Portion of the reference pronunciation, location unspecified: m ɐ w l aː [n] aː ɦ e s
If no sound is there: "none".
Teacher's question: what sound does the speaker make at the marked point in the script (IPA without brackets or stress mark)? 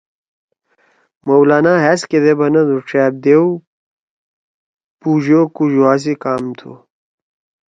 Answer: n